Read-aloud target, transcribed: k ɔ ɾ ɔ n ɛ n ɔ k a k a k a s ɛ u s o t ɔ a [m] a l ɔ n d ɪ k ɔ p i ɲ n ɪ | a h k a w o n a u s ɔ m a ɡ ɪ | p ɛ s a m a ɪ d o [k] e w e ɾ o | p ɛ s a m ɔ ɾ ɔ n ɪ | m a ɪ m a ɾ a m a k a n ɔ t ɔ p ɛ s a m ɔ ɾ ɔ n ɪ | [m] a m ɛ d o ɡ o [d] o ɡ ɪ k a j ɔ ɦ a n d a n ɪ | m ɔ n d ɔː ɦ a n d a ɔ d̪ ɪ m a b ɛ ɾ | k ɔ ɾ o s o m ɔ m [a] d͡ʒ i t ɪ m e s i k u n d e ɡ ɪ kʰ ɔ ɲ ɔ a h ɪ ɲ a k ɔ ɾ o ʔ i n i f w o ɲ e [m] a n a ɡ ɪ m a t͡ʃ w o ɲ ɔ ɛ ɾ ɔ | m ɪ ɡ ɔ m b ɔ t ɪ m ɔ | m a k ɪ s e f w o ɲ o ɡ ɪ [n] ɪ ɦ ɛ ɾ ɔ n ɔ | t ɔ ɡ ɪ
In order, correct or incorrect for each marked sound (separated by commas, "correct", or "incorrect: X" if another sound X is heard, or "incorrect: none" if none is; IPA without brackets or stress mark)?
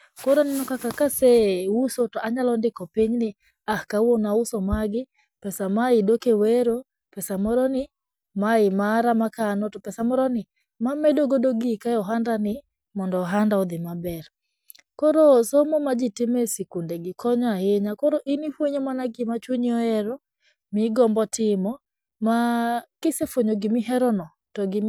incorrect: ɲ, correct, correct, correct, correct, correct, incorrect: m